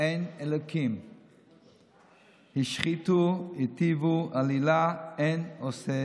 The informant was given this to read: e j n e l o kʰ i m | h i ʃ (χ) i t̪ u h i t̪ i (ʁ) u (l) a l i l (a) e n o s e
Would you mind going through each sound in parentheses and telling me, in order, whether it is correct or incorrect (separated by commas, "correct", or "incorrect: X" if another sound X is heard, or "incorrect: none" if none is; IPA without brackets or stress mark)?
correct, incorrect: v, incorrect: none, correct